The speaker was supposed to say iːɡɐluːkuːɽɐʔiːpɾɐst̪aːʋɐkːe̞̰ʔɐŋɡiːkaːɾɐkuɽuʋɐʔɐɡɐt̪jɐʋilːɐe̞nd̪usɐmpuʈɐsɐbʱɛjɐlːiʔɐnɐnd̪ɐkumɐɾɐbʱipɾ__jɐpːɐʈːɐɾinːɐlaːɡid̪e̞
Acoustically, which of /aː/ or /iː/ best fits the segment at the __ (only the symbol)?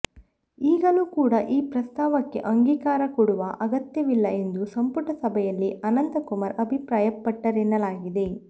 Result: aː